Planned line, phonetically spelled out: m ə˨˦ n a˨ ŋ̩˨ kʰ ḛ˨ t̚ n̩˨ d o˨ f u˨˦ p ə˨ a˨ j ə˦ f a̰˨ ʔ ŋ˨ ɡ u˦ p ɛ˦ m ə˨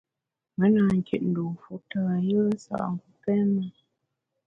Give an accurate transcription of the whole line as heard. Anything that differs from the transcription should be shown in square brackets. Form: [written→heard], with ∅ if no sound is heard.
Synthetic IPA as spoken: m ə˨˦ n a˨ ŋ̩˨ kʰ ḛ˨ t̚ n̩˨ d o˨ f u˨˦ [p→t] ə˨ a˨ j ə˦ [f→s] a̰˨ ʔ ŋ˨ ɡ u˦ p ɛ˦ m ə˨